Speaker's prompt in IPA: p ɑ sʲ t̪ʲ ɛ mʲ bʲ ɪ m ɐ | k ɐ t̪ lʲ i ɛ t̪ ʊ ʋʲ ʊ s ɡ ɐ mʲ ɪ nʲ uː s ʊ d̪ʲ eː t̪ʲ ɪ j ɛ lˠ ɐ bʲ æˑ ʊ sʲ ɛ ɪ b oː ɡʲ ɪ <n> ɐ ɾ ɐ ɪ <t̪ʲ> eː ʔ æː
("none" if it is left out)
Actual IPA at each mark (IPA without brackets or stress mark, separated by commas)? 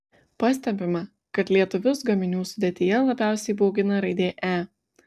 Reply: n, d̪ʲ